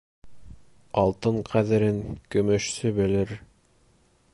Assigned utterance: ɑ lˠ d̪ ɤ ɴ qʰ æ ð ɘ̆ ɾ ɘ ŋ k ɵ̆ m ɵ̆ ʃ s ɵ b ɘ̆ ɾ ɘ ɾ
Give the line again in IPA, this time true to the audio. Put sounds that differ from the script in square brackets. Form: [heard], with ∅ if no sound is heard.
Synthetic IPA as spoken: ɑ lˠ [t̪] ɤ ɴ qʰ æ ð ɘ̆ ɾ ɘ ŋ k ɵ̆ m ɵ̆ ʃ s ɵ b ɘ̆ [l] ɘ ɾ